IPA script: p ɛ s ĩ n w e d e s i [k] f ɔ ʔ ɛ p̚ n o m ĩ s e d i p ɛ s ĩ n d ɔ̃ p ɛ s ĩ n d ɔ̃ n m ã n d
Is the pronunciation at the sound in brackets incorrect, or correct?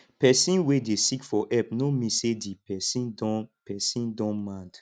correct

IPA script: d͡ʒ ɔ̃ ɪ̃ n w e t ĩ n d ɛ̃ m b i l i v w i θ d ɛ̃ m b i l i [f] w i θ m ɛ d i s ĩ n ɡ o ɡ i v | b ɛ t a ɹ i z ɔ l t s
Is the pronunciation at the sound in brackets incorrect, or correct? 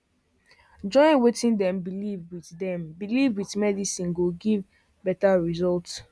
incorrect: v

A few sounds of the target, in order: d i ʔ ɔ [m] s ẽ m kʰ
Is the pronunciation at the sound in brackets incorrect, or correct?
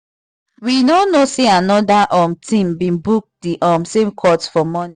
correct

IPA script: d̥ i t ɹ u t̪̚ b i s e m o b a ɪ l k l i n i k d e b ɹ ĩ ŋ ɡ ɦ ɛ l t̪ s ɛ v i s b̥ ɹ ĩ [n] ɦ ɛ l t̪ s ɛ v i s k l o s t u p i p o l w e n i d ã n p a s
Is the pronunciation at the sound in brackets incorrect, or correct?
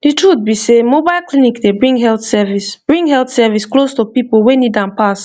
incorrect: ŋ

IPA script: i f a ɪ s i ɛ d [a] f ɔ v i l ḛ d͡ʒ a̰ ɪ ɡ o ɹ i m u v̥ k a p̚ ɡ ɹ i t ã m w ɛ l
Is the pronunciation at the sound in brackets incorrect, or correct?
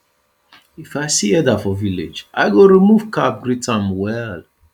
correct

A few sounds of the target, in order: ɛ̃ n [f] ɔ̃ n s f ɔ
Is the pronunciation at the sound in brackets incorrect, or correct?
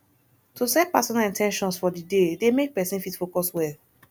incorrect: ʃ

